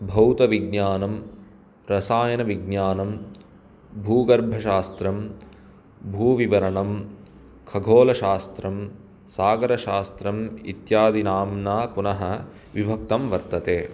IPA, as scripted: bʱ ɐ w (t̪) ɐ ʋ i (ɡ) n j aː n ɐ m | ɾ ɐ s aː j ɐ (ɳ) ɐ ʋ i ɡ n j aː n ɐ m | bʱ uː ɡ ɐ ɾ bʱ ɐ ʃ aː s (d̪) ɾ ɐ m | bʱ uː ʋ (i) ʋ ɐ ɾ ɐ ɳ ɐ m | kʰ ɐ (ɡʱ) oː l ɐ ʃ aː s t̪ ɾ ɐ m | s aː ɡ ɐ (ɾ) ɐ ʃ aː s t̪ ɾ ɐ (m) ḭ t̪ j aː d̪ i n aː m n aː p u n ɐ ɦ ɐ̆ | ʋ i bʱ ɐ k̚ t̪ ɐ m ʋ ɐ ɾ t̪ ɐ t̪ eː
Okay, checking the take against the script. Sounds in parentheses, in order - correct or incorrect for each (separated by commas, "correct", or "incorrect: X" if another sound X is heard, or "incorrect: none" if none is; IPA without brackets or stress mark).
correct, correct, incorrect: n, incorrect: t̪, correct, correct, correct, correct